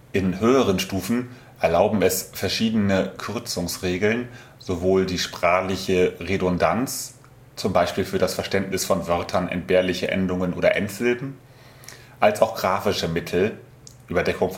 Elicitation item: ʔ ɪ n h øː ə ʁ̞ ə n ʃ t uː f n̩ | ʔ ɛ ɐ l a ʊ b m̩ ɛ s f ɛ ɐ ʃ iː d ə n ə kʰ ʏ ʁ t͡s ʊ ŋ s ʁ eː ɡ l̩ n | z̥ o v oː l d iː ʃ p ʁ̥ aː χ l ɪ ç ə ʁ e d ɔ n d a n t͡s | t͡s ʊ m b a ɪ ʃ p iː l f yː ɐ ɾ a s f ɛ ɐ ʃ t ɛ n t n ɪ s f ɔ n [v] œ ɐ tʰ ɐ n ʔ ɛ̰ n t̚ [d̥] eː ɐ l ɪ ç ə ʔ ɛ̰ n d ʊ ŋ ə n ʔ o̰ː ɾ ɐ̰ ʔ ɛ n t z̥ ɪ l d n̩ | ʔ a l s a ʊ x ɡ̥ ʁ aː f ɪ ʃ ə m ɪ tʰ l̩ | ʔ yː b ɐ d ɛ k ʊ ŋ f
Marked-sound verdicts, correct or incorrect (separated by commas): correct, incorrect